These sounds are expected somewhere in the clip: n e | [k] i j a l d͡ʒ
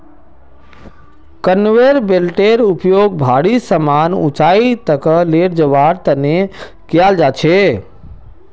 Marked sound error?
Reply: no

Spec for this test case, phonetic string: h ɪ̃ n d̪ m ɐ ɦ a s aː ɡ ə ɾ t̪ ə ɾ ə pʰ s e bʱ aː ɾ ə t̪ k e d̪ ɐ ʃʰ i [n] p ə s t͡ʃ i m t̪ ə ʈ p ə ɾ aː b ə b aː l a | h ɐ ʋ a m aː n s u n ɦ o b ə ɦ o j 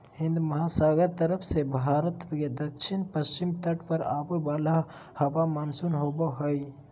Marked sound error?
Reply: no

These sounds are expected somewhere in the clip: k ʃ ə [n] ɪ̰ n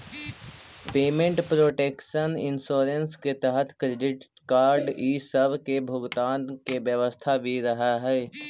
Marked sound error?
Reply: no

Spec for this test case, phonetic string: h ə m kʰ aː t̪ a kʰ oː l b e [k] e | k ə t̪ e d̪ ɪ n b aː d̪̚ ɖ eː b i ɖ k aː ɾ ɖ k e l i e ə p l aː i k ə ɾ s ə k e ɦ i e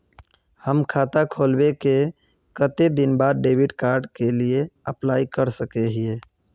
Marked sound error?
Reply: no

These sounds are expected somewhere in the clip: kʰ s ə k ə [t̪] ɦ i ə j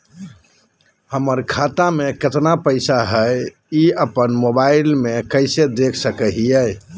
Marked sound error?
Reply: yes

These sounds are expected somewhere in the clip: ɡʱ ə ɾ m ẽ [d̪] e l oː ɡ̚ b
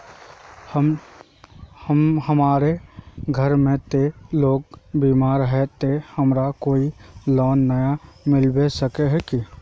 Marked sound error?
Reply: yes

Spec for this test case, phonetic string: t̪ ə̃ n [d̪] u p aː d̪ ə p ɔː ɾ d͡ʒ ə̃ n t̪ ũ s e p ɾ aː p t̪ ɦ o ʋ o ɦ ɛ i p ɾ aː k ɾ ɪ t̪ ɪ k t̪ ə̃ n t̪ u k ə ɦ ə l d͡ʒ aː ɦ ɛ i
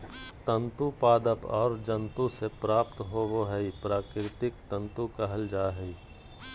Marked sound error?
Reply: yes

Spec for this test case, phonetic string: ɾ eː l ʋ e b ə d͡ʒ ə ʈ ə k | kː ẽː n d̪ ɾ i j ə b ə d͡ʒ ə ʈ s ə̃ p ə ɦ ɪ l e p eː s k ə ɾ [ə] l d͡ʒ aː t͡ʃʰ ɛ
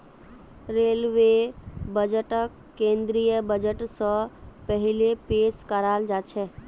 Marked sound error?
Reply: yes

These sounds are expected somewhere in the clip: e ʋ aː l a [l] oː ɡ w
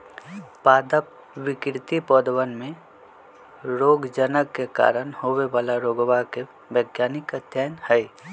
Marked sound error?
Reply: yes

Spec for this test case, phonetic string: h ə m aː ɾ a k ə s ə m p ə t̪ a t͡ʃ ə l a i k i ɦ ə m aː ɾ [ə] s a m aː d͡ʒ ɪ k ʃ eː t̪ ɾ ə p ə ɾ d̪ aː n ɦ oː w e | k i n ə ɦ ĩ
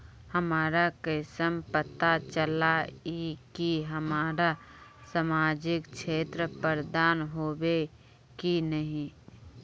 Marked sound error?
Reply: yes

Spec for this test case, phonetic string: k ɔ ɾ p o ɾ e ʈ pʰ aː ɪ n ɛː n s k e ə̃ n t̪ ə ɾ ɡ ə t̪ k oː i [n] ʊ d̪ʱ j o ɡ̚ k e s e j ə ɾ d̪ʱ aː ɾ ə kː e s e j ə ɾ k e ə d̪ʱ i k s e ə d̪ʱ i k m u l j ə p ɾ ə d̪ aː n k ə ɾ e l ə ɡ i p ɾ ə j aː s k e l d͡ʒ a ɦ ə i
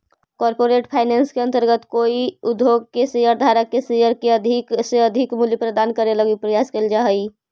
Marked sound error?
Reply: yes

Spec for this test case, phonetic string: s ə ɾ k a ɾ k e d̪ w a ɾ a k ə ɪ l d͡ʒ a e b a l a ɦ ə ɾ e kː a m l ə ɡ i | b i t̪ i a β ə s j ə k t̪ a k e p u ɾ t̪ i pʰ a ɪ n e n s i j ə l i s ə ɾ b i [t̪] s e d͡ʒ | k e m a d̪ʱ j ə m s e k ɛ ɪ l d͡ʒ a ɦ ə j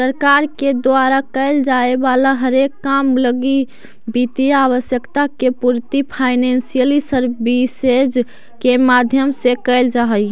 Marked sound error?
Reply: yes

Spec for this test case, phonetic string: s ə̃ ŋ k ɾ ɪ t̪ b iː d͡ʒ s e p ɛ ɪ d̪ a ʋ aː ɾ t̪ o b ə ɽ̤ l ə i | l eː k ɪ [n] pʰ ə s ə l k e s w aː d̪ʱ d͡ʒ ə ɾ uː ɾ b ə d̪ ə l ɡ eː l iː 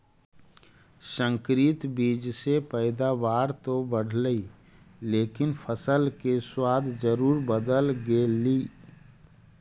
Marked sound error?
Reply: no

